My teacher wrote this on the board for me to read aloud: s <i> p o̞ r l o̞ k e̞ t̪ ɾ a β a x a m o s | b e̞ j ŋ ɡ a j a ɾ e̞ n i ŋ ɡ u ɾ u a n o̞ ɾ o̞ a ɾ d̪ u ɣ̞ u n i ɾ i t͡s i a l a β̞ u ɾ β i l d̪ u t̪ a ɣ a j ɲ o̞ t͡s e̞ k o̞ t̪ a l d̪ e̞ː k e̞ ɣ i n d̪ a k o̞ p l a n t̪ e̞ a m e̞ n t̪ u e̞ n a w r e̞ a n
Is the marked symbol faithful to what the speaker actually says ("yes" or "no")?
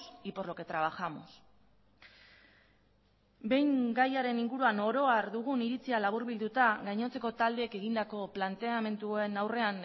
yes